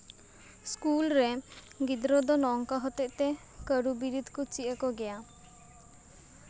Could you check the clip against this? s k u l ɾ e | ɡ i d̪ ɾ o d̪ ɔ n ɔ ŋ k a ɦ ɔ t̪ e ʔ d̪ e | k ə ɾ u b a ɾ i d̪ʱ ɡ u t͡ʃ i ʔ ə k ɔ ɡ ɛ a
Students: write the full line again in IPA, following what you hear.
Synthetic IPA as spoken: s k u l ɾ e | ɡ i d̪ ɾ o d̪ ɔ n ɔ ŋ k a ɦ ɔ t̪ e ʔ t̪ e | k ə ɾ u b i ɾ i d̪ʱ k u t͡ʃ i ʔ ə k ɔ ɡ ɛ a